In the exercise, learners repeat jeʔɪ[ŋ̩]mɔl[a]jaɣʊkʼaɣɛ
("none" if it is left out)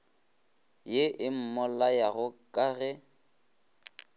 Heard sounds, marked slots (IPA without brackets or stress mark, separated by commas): m̩, a